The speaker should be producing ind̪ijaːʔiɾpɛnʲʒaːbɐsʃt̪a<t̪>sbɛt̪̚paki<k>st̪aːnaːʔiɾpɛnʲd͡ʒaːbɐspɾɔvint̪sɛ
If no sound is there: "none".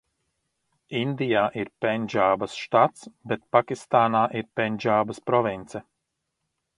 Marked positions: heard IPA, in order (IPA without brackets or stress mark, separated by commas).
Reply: t̪, none